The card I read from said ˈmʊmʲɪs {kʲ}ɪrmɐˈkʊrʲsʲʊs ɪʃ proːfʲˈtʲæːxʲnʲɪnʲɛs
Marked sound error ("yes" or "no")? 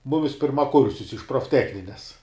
yes